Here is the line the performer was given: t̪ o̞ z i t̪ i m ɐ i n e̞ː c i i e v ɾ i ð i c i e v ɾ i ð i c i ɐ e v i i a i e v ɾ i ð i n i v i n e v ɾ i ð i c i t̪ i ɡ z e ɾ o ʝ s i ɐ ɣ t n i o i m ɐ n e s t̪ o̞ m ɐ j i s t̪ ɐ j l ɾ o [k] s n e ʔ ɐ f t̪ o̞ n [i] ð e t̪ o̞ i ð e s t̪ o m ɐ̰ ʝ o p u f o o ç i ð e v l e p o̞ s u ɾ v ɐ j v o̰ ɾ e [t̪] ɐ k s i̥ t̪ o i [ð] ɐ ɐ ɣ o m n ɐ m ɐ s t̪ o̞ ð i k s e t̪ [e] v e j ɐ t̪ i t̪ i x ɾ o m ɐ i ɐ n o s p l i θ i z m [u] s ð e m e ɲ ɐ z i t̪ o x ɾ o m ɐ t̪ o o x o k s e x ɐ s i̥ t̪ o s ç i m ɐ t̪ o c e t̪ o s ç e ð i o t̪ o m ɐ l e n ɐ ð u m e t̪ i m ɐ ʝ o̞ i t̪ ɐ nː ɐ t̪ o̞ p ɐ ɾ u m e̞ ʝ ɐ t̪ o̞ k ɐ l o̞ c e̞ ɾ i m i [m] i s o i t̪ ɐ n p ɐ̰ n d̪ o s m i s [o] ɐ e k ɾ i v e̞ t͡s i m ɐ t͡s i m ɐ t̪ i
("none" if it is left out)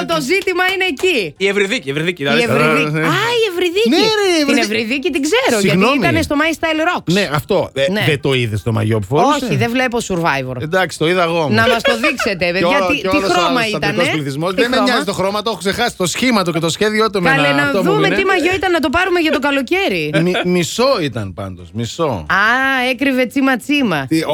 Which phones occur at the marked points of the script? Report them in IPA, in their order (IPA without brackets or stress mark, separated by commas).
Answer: k, e, d̪, ð, e, o, m, o